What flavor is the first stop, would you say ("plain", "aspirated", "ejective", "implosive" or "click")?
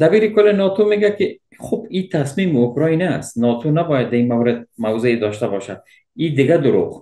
plain